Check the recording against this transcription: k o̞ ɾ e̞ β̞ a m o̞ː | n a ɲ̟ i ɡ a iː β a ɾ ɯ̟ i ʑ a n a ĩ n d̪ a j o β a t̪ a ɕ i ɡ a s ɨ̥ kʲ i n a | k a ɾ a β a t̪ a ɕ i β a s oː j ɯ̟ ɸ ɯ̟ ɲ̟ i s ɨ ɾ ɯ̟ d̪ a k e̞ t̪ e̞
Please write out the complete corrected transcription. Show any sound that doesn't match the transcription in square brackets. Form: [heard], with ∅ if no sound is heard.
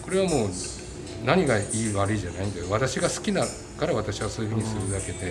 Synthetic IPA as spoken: k o̞ ɾ e̞ β̞ a m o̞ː | n a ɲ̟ i ɡ a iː β a ɾ ɯ̟ i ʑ a n a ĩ n d̪ a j o β a t̪ a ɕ i ɡ a s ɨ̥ kʲ i n a | k a ɾ a β a t̪ a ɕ i β a s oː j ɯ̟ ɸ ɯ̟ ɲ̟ i s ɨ ɾ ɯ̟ d̪ a k e̞ [d̪] e̞